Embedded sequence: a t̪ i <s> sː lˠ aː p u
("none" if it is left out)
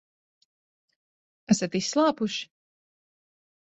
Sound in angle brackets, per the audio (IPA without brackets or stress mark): s